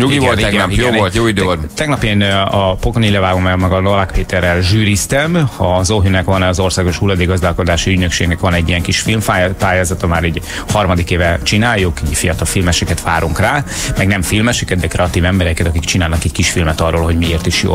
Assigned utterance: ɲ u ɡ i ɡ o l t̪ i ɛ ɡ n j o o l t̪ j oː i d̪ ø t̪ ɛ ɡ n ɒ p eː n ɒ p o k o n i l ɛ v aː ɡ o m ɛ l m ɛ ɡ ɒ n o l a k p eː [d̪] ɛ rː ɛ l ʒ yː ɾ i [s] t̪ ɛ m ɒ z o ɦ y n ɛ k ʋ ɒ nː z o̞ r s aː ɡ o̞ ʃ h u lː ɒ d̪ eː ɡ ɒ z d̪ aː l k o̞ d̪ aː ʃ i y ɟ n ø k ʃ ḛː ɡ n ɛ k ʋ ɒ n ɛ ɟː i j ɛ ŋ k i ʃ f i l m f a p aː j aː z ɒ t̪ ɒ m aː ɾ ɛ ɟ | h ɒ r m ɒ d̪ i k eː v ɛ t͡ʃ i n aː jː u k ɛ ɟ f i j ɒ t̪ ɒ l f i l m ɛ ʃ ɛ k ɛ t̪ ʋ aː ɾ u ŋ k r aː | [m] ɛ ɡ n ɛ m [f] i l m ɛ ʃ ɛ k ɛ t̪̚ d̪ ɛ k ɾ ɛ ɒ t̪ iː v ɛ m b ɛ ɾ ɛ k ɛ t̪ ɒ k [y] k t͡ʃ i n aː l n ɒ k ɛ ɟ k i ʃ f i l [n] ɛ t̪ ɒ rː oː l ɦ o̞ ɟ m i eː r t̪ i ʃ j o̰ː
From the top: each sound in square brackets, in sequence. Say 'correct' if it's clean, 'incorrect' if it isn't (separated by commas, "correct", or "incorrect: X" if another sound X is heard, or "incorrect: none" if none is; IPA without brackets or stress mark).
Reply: incorrect: t̪, correct, correct, correct, incorrect: i, incorrect: m